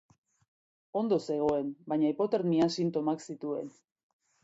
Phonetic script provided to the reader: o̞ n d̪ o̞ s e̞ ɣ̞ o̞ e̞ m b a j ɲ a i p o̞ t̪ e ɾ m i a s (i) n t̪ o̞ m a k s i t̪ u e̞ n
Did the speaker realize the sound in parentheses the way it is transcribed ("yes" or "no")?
yes